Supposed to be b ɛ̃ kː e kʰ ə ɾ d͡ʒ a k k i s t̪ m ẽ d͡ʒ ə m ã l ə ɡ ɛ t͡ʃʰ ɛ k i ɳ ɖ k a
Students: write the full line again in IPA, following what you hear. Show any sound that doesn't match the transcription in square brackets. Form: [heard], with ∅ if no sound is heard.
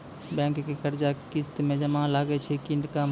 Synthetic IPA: b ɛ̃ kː e [k] ə ɾ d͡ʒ a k k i s t̪ m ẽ d͡ʒ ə m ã l [a] ɡ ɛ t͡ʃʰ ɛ k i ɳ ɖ k a